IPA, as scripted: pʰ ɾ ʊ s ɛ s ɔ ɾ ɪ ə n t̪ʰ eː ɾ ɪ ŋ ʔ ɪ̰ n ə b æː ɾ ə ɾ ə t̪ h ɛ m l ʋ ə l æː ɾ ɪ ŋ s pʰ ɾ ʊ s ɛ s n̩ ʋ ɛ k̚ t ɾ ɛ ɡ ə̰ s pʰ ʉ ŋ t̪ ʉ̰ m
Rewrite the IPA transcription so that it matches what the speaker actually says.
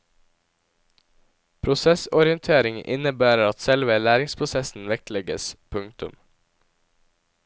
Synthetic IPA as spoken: pʰ ɾ ʊ s ɛ s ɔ ɾ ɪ ə n t̪ʰ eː ɾ ɪ ŋ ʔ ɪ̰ n ə b æː ɾ ə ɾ ɑ t̪ s ɛ l ʋ ə l æː ɾ ɪ ŋ s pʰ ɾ ʊ s ɛ s n̩ ʋ ɛ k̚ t l ɛ ɡ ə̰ s pʰ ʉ ŋ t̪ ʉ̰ m